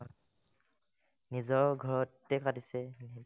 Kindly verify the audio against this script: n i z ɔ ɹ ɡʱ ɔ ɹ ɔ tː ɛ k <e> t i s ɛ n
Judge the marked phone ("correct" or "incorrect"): incorrect